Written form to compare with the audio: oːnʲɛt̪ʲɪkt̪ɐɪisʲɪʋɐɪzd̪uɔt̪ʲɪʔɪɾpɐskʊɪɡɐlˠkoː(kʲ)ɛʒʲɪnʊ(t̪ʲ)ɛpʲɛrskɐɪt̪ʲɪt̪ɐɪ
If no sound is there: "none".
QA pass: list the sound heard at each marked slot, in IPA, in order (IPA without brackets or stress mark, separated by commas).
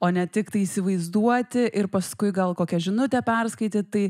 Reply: kʲ, t̪ʲ